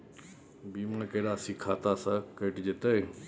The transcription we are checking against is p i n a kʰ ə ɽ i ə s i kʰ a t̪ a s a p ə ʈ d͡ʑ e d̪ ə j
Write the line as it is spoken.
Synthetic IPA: b i m a k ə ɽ a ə s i kʰ a t̪ a s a k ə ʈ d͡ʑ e t̪ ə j